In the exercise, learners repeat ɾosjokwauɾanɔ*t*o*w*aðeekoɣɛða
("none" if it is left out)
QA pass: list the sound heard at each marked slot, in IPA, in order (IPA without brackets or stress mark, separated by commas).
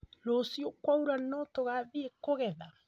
t, ɣ